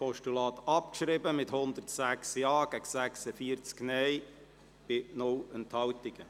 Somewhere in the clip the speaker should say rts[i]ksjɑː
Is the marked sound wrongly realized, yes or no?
yes